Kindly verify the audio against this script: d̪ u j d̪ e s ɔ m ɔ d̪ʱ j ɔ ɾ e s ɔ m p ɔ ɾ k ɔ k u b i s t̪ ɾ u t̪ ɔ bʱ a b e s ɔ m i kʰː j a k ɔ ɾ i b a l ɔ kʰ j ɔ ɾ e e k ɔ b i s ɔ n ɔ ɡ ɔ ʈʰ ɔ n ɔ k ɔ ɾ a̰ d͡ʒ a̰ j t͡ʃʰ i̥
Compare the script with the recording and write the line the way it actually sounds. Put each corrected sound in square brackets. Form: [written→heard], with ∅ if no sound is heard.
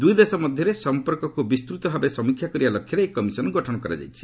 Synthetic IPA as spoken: d̪ u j d̪ e s ɔ m ɔ d̪ʱ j ɔ ɾ e s ɔ m p ɔ ɾ k ɔ k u b i s t̪ ɾ u t̪ ɔ bʱ a b e s ɔ m i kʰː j a k ɔ ɾ i b a l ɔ kʰ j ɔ ɾ e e k ɔ [b→m] i s ɔ n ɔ ɡ ɔ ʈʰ ɔ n ɔ k ɔ ɾ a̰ d͡ʒ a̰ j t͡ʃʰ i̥